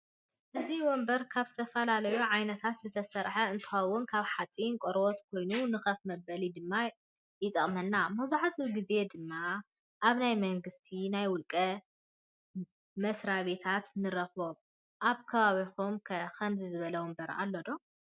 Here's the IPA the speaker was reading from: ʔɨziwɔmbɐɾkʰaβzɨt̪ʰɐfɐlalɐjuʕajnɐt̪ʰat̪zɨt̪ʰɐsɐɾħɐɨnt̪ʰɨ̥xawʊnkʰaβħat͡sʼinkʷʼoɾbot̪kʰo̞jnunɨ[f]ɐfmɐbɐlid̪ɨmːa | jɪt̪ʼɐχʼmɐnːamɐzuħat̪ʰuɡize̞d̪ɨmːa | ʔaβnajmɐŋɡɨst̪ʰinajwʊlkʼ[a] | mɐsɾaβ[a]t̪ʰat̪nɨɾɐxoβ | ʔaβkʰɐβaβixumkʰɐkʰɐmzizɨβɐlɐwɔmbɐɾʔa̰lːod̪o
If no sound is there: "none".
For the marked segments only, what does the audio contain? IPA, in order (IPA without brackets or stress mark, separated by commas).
x, ɐ, e